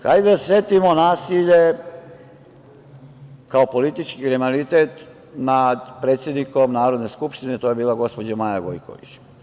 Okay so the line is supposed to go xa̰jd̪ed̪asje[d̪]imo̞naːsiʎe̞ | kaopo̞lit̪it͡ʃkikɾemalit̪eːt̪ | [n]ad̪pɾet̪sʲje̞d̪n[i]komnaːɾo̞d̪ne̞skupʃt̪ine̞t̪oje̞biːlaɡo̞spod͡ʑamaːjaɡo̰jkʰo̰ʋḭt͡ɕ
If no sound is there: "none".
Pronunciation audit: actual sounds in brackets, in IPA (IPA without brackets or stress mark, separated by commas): t̪, n, i